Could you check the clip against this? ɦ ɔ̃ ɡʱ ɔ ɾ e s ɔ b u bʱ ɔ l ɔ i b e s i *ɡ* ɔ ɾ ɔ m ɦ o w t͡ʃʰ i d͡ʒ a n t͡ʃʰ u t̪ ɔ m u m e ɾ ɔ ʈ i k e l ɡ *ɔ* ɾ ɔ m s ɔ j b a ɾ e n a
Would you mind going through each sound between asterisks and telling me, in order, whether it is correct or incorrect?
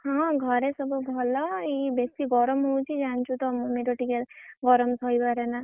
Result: correct, correct

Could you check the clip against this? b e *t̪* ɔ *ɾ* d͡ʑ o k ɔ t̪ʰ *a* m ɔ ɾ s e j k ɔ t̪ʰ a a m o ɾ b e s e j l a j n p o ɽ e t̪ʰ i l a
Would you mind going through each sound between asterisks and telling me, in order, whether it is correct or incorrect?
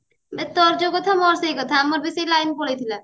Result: correct, correct, correct

